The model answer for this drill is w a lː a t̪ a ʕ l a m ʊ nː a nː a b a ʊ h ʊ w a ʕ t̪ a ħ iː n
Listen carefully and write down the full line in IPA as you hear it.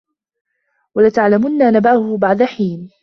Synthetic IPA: w a l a t̪ a ʕ l a m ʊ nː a n a b a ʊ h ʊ b a ʕ d̪ a ħ iː n